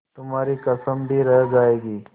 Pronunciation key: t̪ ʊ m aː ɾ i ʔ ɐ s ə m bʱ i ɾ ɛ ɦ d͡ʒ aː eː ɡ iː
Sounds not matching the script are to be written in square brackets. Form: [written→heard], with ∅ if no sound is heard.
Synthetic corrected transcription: t̪ ʊ m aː ɾ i [ʔ→k] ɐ s ə m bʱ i ɾ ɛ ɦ d͡ʒ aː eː ɡ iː